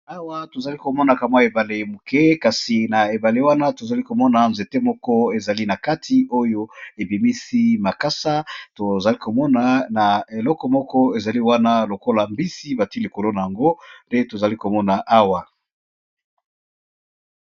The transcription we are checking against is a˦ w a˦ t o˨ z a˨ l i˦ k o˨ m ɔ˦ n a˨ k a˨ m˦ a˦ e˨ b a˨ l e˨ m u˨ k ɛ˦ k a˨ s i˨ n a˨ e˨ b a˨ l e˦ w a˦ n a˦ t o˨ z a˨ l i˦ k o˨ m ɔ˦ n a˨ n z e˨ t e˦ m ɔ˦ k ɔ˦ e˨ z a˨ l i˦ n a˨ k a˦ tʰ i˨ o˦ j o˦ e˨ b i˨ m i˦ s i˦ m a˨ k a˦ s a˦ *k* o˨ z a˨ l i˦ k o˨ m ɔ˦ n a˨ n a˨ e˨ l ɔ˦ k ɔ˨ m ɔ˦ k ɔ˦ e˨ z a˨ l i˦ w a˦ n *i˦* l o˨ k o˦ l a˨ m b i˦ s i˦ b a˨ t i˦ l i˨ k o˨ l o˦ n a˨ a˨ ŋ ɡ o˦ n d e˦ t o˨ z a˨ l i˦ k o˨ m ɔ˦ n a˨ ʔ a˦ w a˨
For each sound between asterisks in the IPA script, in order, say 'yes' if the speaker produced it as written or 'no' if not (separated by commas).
no, no